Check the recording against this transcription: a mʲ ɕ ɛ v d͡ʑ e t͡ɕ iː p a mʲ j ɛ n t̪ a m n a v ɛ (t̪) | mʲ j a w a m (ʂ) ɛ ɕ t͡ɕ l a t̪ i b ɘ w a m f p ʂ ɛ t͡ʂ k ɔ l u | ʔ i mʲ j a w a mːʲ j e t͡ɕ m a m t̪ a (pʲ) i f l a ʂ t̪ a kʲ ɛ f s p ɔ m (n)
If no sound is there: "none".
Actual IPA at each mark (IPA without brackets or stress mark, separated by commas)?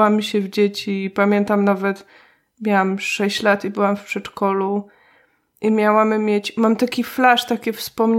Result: t̪, ʂ, kʲ, ɲ